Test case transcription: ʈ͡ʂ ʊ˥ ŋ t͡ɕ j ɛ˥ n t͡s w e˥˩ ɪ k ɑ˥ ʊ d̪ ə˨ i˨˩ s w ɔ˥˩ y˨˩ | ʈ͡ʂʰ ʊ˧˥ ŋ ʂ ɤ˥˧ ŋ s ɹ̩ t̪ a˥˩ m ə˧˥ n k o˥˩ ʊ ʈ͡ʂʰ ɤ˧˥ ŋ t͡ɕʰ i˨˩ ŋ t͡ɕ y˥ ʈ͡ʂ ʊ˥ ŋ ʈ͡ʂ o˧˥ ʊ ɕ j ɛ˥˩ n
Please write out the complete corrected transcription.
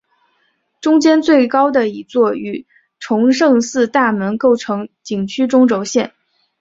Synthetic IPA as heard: ʈ͡ʂ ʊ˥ ŋ t͡ɕ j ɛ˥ n t͡s w e˥˩ ɪ k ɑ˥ ʊ d̪ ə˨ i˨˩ t͡s w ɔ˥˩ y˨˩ | ʈ͡ʂʰ ʊ˧˥ ŋ ʂ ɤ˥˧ ŋ s ɹ̩ t̪ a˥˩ m ə˧˥ n k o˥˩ ʊ ʈ͡ʂʰ ɤ˧˥ ŋ t͡ɕ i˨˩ ŋ t͡ɕʰ y˥ ʈ͡ʂ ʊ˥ ŋ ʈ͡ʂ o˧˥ ʊ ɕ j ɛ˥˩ n